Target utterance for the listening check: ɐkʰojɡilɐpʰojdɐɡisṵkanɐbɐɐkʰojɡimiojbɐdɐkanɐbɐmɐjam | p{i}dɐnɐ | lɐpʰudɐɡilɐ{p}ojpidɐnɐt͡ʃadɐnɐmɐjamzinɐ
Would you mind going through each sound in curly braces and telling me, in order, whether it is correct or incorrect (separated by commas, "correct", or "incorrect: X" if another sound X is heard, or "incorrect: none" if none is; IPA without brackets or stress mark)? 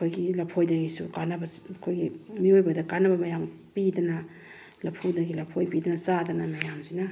correct, incorrect: pʰ